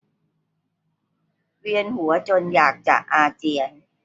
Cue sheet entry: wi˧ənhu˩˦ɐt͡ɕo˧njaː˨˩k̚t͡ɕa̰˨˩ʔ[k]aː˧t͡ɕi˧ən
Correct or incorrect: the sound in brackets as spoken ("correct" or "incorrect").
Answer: incorrect